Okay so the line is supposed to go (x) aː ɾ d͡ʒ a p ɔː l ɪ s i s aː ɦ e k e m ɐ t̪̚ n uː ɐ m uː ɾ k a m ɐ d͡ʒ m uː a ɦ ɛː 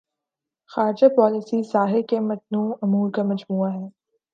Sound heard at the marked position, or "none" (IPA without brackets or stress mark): x